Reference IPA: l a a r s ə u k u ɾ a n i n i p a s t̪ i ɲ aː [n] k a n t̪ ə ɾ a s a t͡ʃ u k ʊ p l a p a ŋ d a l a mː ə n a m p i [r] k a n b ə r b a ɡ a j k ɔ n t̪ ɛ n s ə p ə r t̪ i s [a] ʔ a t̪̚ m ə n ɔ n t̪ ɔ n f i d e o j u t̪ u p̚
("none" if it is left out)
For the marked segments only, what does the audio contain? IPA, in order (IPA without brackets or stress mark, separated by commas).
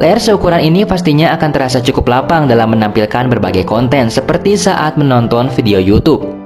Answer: none, l, a